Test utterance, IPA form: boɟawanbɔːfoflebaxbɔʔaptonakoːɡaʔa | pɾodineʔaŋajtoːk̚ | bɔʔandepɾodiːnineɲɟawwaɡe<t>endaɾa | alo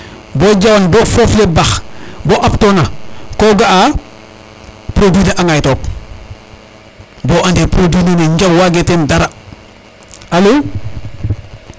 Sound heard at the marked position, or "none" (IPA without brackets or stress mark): t